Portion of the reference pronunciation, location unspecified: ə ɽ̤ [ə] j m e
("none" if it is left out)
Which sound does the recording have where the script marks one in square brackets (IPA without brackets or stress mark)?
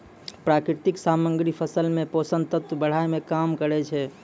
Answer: a